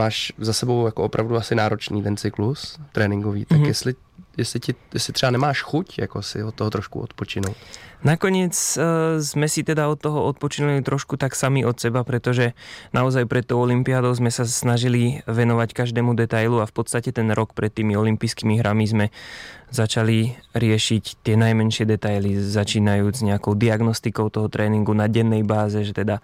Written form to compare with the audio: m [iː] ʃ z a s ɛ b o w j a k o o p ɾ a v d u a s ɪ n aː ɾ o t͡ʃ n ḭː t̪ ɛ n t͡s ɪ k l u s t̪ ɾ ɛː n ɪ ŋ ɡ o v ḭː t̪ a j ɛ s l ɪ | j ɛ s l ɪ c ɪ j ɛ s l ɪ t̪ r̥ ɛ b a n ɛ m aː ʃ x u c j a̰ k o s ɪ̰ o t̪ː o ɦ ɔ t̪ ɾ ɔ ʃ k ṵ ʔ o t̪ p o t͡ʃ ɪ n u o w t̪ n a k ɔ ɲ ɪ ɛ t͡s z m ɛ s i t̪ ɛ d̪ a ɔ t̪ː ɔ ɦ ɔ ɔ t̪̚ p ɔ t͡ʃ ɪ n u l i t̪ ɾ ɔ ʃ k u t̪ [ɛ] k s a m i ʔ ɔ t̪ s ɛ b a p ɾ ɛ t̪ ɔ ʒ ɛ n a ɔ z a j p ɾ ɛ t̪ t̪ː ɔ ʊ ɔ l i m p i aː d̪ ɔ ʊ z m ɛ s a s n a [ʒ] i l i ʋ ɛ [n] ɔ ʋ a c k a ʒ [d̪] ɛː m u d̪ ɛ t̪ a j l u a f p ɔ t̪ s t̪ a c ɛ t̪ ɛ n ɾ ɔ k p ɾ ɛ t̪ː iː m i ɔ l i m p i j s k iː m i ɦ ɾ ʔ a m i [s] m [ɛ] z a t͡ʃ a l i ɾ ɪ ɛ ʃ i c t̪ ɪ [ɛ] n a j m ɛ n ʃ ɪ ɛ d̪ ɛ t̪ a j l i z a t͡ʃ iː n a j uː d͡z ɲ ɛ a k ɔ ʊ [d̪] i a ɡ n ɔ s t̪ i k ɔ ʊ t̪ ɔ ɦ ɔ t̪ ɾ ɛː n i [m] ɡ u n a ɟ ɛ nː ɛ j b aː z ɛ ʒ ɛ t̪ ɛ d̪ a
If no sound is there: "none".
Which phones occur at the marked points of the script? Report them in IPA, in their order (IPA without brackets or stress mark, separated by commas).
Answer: aː, a, ʒ, n, d̪, z, ɛ, ɛ, d̪, ŋ